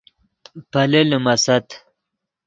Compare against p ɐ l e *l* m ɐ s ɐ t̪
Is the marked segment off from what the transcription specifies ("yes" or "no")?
no